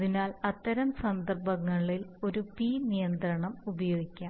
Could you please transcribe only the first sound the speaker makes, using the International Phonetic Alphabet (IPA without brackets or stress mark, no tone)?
ð